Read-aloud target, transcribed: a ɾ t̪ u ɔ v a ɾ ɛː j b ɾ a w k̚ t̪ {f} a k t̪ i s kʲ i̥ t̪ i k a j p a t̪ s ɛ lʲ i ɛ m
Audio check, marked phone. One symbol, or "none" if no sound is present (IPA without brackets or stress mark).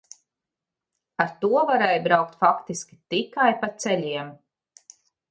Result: f